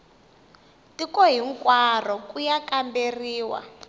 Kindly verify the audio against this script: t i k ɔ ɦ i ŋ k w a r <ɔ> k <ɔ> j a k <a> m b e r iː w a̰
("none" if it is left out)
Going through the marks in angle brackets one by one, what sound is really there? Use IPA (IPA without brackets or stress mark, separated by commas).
ɔ, u, a